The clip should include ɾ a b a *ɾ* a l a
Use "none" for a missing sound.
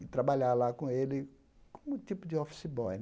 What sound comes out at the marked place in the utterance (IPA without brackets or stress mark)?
ʎ